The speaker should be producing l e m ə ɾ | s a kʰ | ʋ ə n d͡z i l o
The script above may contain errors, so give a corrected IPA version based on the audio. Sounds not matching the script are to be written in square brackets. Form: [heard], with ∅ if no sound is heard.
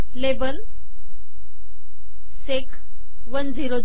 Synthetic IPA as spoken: l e [b] ə [l] | s [e] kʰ | ʋ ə n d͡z i [ɾ] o